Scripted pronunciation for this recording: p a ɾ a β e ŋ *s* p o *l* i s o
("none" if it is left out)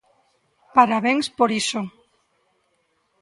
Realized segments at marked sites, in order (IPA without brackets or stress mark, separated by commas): s, ɾ